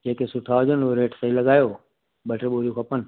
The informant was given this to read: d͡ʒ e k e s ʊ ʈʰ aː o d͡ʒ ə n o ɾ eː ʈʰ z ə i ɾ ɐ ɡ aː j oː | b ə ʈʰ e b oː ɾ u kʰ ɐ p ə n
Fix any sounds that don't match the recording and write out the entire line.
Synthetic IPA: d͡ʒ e k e s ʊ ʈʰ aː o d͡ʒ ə n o ɾ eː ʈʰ s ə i l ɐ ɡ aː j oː | b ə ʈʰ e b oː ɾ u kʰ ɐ p ə n